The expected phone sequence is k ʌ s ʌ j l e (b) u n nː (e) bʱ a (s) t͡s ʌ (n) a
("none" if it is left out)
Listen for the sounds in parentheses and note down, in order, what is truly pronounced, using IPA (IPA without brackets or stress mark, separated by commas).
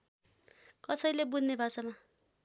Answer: b, e, none, m